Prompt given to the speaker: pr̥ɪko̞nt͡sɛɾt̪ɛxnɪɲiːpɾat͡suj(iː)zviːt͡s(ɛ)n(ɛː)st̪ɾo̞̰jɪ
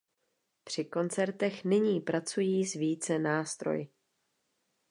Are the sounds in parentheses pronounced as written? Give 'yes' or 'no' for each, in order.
yes, yes, no

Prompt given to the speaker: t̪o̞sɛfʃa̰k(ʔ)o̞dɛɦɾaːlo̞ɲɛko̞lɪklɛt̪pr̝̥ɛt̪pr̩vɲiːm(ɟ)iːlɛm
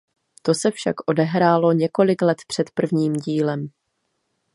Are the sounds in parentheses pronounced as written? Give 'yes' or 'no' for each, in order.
yes, yes

